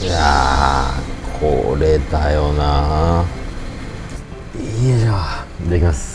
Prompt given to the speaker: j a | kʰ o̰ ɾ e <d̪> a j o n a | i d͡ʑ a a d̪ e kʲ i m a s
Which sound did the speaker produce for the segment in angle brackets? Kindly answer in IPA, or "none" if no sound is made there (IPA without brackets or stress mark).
t̪